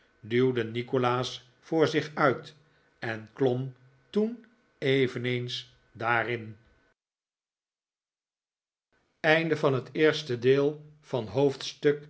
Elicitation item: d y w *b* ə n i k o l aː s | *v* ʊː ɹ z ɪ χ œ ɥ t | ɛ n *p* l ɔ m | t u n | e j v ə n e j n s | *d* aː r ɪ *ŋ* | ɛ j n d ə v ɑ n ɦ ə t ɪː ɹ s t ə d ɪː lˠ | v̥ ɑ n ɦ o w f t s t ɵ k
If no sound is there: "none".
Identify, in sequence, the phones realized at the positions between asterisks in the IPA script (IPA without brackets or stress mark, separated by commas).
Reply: d, f, k, d, n